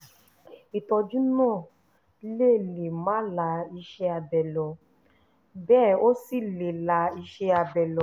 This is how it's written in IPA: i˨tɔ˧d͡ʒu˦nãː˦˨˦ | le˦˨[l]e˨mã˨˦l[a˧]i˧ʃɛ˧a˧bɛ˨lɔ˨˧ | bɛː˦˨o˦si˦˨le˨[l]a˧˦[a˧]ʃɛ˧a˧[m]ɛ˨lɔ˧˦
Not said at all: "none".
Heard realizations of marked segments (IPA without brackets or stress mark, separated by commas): l, a˧, l, i˧, b